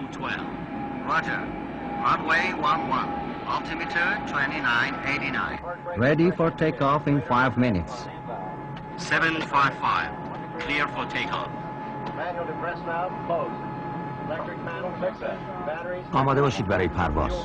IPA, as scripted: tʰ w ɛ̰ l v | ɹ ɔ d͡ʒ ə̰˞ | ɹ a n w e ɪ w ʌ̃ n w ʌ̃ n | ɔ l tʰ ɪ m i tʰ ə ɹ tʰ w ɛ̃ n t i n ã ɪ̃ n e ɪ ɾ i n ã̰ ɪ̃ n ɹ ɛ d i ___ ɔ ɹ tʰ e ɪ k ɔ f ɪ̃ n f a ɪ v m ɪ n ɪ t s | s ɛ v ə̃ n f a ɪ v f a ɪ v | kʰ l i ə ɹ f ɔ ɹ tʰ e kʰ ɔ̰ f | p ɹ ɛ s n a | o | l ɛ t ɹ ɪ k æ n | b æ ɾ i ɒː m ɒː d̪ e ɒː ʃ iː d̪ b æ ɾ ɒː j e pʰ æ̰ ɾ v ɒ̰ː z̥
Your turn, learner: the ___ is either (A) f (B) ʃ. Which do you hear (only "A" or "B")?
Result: A